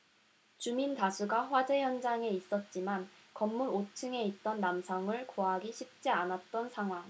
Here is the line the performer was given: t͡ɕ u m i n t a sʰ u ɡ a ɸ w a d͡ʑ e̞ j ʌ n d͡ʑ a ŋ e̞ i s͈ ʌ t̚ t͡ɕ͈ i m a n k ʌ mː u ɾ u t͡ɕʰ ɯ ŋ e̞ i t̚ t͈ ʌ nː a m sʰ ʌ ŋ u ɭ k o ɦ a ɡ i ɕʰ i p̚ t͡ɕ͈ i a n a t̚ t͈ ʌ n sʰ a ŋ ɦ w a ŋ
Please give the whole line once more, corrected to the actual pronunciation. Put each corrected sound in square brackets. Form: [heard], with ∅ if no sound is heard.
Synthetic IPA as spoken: t͡ɕ u m i n t a sʰ u ɡ a ɸ w a d͡ʑ e̞ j ʌ n d͡ʑ a ŋ e̞ i s͈ ʌ t̚ t͡ɕ͈ i m a n k ʌ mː u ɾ [o] t͡ɕʰ ɯ ŋ e̞ i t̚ t͈ ʌ nː a m sʰ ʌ ŋ [ɯ] ɭ k o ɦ a ɡ i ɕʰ i p̚ t͡ɕ͈ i a n a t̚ t͈ ʌ n sʰ a ŋ ɦ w a ŋ